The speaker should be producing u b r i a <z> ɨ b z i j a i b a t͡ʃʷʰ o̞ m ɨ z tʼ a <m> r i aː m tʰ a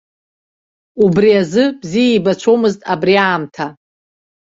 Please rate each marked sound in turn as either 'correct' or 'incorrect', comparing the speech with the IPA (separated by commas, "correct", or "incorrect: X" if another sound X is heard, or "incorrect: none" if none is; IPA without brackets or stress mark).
correct, incorrect: b